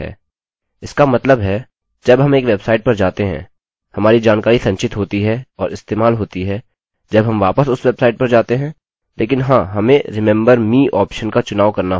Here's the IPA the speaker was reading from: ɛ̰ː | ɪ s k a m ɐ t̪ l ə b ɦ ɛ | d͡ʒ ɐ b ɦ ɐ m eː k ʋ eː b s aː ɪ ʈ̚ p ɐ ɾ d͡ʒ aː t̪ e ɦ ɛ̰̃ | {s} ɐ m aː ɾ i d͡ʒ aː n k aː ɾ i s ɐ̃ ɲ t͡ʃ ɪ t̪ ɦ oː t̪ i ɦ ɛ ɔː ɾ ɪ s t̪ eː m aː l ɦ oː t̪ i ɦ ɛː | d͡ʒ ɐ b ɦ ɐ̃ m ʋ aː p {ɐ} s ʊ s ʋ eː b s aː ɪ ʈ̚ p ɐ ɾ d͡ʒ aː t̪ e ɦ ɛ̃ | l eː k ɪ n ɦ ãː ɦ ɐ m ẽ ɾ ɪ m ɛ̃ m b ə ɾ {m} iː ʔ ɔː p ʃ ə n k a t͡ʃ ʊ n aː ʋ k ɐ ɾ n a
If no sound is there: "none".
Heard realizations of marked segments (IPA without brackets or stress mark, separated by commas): h, ə, m